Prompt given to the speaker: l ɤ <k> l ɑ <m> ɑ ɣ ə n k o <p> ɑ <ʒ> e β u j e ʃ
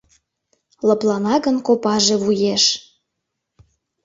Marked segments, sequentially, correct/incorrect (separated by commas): incorrect, incorrect, correct, correct